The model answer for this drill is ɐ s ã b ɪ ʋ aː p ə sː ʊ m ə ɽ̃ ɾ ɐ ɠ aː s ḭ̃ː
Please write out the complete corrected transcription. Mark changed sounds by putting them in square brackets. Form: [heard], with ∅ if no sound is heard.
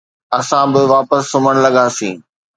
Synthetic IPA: ɐ s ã b ɪ ʋ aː p ə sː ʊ m ə ɽ̃ [l] ɐ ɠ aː s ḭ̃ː